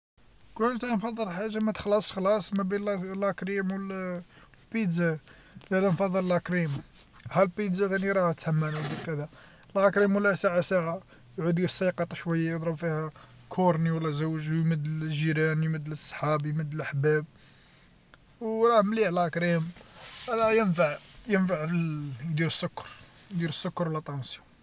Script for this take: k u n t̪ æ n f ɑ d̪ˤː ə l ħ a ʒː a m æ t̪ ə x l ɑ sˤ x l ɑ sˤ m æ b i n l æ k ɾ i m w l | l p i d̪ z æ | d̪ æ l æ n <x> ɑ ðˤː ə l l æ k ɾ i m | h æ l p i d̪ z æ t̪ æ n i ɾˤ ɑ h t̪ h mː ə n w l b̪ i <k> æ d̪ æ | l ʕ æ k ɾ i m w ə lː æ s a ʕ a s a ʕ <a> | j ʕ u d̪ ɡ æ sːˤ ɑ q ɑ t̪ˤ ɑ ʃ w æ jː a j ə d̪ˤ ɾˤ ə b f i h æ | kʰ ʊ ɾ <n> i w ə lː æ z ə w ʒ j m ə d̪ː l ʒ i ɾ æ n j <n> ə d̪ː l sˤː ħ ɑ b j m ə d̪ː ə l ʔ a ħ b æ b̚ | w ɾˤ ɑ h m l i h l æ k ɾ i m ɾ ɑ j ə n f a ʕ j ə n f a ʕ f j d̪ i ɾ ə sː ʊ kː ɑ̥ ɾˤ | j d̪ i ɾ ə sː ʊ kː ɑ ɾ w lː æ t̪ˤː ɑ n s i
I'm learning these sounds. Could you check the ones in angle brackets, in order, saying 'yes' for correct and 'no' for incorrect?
no, yes, yes, yes, no

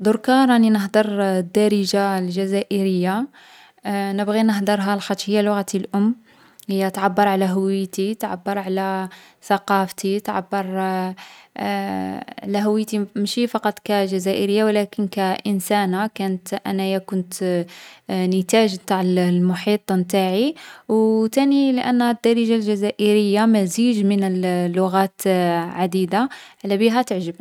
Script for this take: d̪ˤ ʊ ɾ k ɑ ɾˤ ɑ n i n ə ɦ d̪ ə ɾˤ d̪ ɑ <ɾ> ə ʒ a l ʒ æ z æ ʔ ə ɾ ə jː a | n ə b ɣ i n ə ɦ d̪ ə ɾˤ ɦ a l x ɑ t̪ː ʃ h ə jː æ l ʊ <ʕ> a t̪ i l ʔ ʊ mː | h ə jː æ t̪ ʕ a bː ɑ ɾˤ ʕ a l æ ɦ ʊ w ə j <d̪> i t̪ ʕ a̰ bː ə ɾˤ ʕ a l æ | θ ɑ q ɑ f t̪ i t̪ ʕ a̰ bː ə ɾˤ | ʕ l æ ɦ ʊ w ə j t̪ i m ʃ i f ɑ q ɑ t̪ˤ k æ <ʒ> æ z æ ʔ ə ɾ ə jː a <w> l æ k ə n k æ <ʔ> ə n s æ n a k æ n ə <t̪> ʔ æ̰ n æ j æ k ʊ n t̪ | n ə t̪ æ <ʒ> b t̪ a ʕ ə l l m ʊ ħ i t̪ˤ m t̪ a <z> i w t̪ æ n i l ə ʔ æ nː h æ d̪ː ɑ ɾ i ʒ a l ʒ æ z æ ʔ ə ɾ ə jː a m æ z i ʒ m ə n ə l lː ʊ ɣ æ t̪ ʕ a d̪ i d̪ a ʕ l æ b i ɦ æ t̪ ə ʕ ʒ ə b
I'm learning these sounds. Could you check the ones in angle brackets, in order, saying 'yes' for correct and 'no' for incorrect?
yes, no, no, yes, yes, yes, yes, yes, no

